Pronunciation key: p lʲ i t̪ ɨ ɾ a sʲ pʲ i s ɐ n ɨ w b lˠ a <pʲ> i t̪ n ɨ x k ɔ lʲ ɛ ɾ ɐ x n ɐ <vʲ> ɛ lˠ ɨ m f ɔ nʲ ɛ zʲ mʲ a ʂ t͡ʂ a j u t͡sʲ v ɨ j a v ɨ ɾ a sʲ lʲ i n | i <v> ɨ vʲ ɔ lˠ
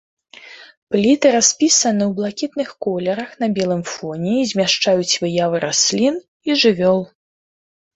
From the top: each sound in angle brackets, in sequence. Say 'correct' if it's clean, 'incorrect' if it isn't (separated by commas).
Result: incorrect, incorrect, incorrect